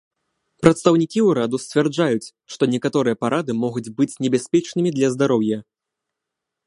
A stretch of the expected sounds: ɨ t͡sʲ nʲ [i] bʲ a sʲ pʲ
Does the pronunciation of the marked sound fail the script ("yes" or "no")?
yes